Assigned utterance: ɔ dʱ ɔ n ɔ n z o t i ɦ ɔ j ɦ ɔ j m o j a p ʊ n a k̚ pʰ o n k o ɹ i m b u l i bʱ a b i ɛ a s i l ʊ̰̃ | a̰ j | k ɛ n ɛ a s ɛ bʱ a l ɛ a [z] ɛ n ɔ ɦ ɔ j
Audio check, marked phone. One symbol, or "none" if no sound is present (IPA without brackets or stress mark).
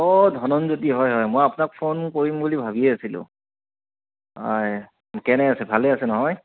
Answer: s